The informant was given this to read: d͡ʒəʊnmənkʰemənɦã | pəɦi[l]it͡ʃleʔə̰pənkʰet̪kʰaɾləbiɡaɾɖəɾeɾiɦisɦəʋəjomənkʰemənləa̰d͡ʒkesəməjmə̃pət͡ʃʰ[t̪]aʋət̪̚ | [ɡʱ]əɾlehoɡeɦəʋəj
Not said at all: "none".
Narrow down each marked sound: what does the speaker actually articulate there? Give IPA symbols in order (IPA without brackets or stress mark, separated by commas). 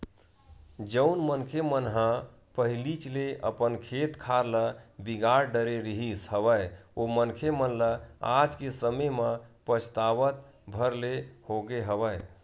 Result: l, t̪, bʱ